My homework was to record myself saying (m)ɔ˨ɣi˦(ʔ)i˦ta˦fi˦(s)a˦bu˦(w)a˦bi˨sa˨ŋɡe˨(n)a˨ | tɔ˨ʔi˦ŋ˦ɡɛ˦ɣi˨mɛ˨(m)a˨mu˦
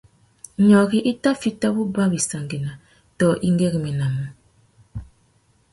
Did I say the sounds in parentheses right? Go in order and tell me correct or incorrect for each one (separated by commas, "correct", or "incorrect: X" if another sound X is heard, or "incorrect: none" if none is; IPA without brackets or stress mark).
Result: incorrect: ɲ, correct, incorrect: t, incorrect: b, correct, incorrect: n